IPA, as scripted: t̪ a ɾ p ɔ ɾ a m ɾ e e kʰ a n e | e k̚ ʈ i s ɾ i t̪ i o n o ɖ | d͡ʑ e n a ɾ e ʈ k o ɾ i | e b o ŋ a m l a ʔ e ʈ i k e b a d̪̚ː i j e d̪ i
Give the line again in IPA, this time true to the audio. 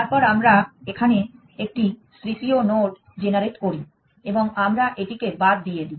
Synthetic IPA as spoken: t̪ a ɾ p ɔ ɾ a m ɾ a e kʰ a n e | e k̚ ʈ i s ɾ i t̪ i o n o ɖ | d͡ʑ e n a ɾ e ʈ k o ɾ i | e b o ŋ a m ɾ a ʔ e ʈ i k e b a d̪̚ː i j e d̪ i

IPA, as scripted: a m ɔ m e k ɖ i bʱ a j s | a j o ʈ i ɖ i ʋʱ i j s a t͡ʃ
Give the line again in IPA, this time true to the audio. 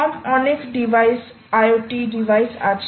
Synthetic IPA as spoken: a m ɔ n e k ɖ i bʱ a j s | a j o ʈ i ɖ i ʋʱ a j s a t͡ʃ

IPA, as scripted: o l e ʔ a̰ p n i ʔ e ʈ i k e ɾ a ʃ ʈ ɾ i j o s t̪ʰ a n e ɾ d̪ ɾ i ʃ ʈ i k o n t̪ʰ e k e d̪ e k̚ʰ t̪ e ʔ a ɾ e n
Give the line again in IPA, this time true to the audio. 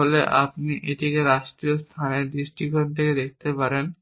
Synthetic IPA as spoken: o l e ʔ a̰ p n i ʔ e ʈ i k e ɾ a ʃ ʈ ɾ i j o s t̪ʰ a n e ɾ d̪ ɾ i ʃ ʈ i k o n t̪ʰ e k e d̪ e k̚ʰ t̪ e p a ɾ e n

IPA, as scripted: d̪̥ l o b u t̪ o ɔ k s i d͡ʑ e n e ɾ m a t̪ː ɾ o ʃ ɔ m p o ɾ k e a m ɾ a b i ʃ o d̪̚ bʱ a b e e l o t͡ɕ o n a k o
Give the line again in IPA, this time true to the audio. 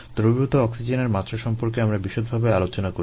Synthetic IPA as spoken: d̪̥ ɾ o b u t̪ o ɔ k s i d͡ʑ e n e ɾ m a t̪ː ɾ o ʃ ɔ m p o ɾ k e a m ɾ a b i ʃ o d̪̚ bʱ a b e a l o t͡ɕ o n a k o

